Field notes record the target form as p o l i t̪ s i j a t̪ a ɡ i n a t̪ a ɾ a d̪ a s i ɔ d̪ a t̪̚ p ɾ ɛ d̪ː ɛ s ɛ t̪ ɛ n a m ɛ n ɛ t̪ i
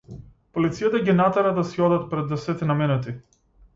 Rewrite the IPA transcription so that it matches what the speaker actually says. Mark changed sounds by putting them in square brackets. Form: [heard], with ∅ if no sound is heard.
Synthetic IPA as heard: p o l i t̪ s i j a t̪ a ɡ i n a t̪ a ɾ a d̪ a s i ɔ d̪ a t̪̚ p ɾ ɛ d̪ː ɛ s ɛ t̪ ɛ n a m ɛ n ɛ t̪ i